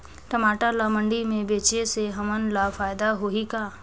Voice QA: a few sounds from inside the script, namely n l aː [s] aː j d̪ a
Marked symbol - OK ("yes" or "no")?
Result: no